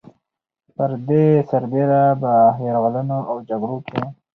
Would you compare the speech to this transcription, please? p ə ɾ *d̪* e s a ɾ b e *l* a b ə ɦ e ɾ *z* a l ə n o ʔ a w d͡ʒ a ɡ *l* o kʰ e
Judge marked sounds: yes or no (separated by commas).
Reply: yes, no, no, no